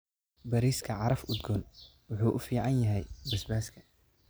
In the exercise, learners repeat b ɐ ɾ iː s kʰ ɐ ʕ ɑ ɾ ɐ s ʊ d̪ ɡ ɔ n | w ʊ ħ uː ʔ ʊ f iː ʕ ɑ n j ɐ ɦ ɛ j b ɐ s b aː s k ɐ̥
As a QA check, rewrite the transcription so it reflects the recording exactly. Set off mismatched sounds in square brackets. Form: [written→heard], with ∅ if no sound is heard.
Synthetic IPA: b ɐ ɾ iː s kʰ ɐ ʕ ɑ ɾ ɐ [s→f] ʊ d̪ ɡ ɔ n | w ʊ ħ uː ʔ ʊ f iː ʕ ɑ n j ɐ ɦ ɛ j b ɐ s b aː s [k→kʰ] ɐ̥